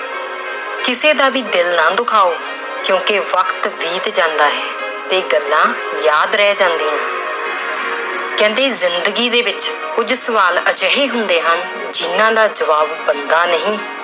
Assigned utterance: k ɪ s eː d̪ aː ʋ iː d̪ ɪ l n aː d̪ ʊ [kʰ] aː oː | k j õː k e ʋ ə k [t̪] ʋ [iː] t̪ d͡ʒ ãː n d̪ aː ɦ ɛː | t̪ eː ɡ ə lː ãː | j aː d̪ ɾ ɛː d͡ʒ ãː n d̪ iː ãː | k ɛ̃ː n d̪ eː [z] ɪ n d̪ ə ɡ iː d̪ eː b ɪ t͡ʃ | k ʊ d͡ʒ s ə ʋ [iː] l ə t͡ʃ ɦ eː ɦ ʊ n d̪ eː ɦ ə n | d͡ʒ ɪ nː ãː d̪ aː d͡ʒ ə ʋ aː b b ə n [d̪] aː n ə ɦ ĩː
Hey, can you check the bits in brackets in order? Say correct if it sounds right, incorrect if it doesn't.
correct, correct, correct, correct, incorrect: aː, correct

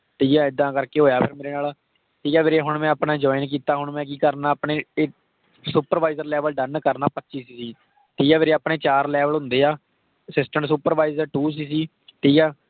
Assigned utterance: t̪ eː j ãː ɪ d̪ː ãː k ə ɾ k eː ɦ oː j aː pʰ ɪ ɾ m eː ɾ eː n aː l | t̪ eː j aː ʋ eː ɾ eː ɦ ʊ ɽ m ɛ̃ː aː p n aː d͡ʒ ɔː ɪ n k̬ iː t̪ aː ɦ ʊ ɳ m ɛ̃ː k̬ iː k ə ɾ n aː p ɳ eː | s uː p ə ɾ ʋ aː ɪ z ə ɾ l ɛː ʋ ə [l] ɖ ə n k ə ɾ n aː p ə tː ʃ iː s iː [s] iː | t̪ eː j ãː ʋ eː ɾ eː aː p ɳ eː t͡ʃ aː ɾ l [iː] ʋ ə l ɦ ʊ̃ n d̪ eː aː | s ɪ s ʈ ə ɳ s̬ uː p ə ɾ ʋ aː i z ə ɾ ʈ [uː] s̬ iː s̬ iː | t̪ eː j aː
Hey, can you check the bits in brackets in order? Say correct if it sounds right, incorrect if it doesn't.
correct, correct, incorrect: ɛː, correct

